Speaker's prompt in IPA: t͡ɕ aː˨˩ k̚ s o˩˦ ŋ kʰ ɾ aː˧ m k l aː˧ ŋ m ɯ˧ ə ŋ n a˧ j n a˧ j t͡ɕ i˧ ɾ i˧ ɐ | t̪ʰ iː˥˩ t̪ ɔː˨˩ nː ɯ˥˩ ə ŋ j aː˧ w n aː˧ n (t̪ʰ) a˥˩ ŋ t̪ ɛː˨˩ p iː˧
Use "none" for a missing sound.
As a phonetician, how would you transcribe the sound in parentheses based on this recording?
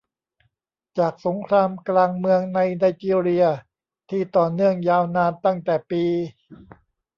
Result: t̪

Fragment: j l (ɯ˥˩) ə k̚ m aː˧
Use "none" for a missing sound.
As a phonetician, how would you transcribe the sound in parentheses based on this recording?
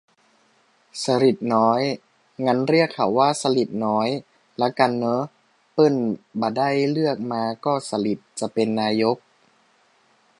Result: ɯ˥˩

